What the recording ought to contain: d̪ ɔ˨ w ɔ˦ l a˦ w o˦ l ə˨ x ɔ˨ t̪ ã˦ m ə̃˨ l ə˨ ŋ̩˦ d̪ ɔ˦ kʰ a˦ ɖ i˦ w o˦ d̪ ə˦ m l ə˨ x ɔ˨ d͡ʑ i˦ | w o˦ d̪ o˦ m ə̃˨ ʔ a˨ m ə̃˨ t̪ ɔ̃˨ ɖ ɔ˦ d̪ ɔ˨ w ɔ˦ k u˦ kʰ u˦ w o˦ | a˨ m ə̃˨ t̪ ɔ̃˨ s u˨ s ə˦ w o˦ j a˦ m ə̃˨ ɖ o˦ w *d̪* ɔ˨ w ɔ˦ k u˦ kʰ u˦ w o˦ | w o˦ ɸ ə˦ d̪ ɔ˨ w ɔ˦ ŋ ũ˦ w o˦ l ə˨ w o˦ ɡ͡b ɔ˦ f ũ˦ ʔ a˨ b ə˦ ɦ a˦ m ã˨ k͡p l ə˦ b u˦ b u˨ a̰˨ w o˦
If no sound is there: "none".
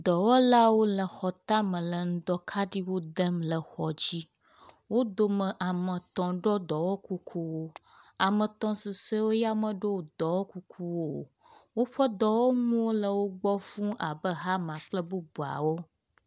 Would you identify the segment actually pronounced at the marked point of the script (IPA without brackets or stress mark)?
d̪